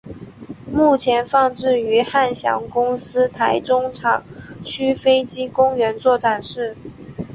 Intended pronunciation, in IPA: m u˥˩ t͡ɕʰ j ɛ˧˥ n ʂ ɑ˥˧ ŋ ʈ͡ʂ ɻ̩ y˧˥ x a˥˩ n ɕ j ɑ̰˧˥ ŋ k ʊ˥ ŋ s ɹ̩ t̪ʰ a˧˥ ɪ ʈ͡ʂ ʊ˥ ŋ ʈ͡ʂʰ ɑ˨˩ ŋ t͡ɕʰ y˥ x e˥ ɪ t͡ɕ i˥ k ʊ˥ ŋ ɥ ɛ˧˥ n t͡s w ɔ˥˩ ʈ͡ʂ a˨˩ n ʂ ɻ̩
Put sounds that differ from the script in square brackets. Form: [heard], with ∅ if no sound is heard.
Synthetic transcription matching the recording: m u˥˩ t͡ɕʰ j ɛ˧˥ n [f] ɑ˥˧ ŋ ʈ͡ʂ ɻ̩ y˧˥ x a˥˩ n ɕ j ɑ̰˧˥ ŋ k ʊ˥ ŋ s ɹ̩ t̪ʰ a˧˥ ɪ ʈ͡ʂ ʊ˥ ŋ ʈ͡ʂʰ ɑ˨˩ ŋ t͡ɕʰ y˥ [f] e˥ ɪ t͡ɕ i˥ k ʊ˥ ŋ ɥ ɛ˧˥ n t͡s w ɔ˥˩ ʈ͡ʂ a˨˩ n ʂ ɻ̩